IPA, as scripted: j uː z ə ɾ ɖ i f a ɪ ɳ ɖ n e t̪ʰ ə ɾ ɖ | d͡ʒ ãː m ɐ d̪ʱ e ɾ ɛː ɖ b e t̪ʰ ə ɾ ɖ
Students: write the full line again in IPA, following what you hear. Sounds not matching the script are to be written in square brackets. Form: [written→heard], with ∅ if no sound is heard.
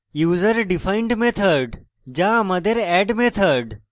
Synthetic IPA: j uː z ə ɾ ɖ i f a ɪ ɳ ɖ [n→m] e t̪ʰ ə ɾ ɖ | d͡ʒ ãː m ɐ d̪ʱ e ɾ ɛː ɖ [b→m] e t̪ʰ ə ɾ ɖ